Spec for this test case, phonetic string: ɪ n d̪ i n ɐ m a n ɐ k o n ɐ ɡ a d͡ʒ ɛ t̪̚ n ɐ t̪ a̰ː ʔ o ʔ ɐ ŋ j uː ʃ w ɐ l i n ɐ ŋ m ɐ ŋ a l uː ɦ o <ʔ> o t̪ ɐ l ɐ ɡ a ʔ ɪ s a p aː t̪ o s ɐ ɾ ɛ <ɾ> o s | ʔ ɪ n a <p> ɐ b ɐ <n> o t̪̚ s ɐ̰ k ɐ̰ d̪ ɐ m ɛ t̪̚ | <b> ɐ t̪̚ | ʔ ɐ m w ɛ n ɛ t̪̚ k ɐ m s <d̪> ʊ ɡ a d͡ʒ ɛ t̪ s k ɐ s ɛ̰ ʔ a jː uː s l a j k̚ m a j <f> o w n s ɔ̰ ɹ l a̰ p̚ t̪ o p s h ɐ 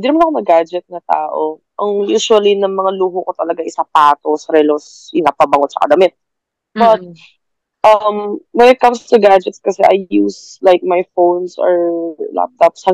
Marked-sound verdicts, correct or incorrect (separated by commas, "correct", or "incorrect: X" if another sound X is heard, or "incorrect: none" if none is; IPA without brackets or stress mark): incorrect: k, incorrect: l, correct, incorrect: ŋ, correct, incorrect: t̪, correct